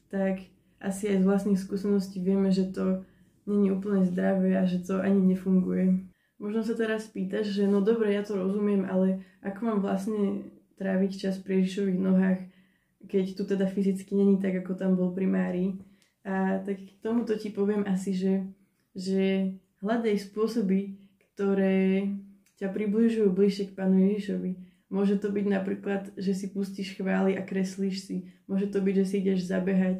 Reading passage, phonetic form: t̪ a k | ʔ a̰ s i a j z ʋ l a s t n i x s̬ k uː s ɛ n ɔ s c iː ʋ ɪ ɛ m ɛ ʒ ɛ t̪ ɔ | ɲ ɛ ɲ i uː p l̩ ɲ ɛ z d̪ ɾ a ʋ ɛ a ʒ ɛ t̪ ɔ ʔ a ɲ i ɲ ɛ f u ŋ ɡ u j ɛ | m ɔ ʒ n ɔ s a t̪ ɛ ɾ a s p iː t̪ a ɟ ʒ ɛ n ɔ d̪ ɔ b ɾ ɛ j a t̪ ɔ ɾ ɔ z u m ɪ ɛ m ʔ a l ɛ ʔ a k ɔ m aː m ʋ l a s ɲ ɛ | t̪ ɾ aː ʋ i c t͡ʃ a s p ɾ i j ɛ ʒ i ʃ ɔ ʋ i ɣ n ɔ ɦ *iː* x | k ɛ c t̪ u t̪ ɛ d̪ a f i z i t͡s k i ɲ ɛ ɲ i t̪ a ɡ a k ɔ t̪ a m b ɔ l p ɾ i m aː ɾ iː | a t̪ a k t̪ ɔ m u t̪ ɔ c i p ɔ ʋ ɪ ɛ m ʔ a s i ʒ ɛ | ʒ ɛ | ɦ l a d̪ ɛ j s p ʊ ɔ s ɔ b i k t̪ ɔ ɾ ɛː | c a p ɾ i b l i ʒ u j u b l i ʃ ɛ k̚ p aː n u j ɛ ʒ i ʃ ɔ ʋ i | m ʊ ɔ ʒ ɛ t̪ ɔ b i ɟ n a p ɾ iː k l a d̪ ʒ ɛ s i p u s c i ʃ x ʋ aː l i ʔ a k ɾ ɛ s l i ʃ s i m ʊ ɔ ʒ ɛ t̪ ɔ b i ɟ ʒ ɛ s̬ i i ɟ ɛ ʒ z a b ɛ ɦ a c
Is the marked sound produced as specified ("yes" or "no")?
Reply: no